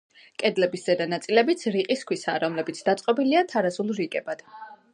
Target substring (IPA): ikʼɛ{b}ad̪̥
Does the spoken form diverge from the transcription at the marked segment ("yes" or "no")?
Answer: no